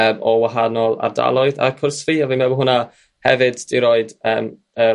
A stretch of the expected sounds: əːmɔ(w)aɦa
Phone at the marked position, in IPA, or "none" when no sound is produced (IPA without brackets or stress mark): w